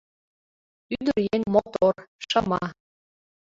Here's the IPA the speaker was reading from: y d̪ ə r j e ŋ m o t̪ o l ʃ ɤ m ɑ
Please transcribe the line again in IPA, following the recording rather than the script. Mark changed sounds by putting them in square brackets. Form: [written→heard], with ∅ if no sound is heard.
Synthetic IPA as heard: y d̪ ə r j e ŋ m o t̪ o [l→r] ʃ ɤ m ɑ